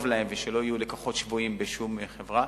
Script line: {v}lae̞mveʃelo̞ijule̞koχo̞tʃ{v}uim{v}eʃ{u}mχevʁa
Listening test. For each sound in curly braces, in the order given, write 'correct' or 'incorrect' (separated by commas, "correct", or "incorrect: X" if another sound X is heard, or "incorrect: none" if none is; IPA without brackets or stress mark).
correct, correct, incorrect: b, correct